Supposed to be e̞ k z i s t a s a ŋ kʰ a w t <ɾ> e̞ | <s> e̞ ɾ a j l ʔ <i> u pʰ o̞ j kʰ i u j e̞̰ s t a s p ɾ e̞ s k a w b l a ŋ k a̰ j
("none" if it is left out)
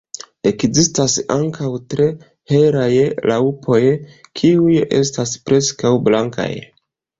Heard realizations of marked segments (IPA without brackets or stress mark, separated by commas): ɾ, h, a